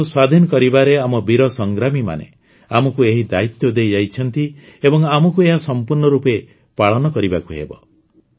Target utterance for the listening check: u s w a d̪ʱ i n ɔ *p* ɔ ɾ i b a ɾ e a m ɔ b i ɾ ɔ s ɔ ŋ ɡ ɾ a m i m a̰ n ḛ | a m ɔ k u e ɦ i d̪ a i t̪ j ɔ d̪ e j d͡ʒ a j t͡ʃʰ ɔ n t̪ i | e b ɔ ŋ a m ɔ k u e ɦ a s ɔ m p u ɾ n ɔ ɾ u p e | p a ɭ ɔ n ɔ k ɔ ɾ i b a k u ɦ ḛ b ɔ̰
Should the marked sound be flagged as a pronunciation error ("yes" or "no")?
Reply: yes